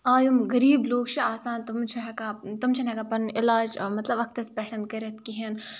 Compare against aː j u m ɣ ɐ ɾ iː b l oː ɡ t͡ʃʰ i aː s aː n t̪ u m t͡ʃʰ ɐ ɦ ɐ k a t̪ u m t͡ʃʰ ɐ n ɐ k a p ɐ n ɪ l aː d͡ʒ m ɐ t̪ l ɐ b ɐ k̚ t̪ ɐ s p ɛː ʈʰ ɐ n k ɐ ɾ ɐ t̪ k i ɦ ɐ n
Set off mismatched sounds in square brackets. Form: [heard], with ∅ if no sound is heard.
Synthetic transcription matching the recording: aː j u m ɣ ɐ ɾ iː b l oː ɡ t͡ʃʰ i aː s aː n t̪ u m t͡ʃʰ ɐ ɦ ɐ k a t̪ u m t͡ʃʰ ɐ n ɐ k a p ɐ n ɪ l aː d͡ʒ m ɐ t̪ l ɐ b ɐ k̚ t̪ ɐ s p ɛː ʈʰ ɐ n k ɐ ɾ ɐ t̪ k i ɦ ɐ n